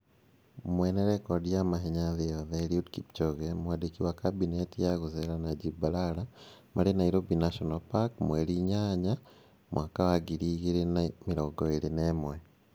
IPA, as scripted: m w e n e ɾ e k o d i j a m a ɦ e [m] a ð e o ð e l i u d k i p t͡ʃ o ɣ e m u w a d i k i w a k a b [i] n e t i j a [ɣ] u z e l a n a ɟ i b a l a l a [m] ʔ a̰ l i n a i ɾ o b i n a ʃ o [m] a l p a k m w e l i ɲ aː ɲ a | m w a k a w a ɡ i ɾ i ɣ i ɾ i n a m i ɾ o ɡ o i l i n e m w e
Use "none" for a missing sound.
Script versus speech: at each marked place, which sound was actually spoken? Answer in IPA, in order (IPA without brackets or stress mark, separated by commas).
ɲ, i, ɣ, m, n